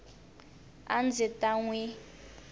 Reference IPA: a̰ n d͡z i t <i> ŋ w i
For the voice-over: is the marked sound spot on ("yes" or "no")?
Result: no